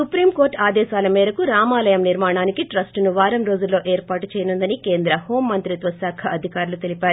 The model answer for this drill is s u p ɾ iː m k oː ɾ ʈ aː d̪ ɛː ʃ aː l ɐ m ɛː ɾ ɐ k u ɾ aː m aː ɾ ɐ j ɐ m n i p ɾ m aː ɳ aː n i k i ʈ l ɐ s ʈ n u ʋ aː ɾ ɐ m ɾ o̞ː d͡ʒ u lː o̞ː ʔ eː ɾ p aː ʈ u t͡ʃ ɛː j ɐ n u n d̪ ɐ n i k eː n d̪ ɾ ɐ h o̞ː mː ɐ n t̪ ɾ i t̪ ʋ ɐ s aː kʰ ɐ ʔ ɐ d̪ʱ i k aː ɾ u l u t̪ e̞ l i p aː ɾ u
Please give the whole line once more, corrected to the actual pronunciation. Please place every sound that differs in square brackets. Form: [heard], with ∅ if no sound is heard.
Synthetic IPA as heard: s u p ɾ iː m k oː ɾ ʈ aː d̪ ɛː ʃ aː l ɐ m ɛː ɾ ɐ k u ɾ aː m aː [l] ɐ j ɐ m n i [∅] ɾ m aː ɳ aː n i k i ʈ [ɾ] ɐ s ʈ n u ʋ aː ɾ ɐ m ɾ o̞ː d͡ʒ u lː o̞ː ʔ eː ɾ p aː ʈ u t͡ʃ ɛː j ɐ n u n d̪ ɐ n i k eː n d̪ ɾ ɐ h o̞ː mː ɐ n t̪ ɾ i t̪ ʋ ɐ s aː kʰ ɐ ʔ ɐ d̪ʱ i k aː ɾ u l u t̪ e̞ l i p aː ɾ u